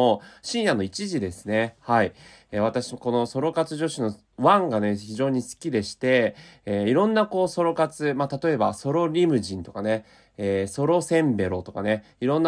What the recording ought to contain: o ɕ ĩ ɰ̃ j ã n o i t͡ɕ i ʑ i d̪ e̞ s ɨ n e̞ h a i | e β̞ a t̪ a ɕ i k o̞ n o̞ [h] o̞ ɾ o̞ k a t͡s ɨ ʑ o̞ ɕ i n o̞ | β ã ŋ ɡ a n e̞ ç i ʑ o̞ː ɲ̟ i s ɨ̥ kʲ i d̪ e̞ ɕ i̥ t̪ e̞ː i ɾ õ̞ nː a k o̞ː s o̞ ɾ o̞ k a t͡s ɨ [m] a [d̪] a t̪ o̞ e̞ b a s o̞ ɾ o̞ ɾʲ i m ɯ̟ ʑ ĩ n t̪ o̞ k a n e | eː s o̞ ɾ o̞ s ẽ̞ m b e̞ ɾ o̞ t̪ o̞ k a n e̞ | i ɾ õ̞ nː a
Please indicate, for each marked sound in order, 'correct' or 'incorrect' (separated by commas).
incorrect, correct, incorrect